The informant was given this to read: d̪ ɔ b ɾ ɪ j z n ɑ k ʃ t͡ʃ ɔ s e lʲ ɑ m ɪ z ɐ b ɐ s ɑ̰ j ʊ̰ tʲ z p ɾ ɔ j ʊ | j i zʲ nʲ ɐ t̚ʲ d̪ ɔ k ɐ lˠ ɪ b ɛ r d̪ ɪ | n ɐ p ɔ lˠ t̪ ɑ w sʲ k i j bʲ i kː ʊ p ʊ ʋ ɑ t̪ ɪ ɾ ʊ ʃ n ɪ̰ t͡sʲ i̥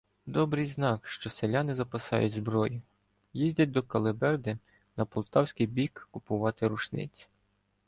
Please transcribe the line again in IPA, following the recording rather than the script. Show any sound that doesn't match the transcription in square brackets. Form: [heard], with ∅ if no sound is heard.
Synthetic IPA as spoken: d̪ ɔ b ɾ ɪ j z n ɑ k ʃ t͡ʃ ɔ s e lʲ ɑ [n] ɪ z ɐ [p] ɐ s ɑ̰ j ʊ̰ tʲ z [b] ɾ ɔ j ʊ | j i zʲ [dʲ] ɐ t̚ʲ d̪ ɔ k ɐ lˠ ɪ b ɛ r d̪ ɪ | n ɐ p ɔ lˠ t̪ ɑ w sʲ k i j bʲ i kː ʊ p ʊ ʋ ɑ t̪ ɪ ɾ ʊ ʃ n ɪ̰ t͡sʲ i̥